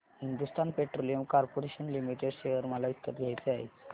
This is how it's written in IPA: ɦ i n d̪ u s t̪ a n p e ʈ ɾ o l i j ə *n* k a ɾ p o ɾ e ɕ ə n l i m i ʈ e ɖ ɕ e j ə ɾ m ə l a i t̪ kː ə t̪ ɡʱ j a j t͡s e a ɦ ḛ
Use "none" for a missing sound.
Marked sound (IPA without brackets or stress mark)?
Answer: m